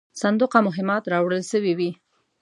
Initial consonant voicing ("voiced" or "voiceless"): voiceless